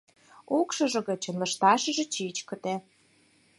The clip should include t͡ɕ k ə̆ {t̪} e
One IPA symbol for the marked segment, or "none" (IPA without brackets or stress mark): t̪